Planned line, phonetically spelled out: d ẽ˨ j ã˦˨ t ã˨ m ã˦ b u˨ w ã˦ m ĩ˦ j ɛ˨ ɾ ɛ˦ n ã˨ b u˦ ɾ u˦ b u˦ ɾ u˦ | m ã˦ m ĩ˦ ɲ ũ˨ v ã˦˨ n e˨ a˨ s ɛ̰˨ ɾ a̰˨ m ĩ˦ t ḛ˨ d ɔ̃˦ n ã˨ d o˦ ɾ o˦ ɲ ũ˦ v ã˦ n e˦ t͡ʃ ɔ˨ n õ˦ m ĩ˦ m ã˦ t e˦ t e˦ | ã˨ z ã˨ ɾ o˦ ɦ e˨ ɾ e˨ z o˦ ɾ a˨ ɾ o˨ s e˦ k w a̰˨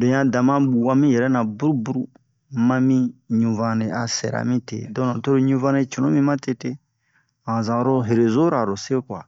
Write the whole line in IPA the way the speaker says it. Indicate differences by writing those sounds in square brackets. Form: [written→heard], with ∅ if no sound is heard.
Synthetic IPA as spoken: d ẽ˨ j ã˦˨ [t→d] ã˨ m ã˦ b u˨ w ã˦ m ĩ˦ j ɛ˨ ɾ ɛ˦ n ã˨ b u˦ ɾ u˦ b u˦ ɾ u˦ | m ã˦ m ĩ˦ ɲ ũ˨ v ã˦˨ n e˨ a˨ s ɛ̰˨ ɾ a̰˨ m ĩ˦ t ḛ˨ d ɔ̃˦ n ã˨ [d→t] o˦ ɾ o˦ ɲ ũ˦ v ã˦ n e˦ t͡ʃ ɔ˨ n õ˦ m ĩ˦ m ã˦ t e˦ t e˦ | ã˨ z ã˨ ɾ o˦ ɦ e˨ ɾ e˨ z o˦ ɾ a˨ ɾ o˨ s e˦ k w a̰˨